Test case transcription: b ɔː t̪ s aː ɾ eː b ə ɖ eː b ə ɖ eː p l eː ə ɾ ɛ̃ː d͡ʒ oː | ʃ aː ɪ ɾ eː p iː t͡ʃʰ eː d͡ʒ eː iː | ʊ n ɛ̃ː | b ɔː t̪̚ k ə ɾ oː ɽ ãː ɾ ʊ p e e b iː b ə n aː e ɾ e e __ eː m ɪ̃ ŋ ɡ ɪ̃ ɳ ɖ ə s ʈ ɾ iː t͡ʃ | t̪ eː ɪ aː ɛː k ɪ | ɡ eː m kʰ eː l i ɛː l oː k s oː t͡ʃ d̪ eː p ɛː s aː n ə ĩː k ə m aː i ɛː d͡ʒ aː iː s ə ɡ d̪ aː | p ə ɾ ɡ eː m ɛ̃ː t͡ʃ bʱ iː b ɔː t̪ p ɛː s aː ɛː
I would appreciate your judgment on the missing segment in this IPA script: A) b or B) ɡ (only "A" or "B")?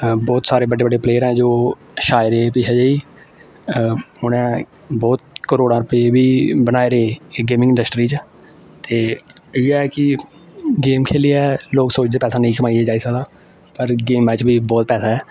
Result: B